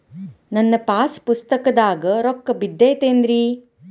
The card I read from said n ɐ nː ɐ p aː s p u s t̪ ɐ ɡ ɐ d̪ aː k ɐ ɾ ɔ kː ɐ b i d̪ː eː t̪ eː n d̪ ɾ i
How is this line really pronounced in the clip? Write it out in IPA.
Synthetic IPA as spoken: n ɐ nː ɐ p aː s p u s t̪ ɐ k ɐ d̪ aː ɡ ɐ ɾ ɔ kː ɐ b i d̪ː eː t̪ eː n d̪ ɾ i